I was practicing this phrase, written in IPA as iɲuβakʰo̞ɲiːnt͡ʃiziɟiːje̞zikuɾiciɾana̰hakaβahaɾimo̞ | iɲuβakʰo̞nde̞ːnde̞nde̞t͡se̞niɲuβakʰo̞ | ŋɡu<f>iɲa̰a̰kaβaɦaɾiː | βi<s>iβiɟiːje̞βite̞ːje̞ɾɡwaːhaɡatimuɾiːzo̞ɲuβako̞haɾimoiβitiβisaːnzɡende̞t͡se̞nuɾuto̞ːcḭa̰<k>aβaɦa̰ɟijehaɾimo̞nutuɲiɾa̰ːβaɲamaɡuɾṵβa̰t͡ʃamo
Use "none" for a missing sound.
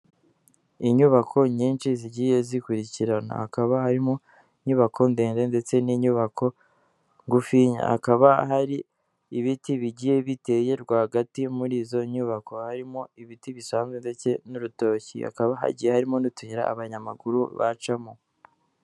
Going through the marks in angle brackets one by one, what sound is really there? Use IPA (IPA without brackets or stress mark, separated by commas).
f, t, k